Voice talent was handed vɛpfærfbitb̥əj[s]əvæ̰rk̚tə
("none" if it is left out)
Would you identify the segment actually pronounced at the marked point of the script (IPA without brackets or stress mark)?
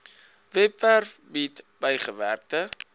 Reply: χ